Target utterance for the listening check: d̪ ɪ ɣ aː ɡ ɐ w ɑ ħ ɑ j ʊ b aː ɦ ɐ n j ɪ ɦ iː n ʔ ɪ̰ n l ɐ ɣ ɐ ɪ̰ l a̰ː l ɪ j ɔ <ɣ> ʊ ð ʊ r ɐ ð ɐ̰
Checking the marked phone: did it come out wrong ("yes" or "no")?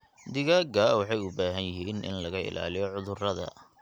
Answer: yes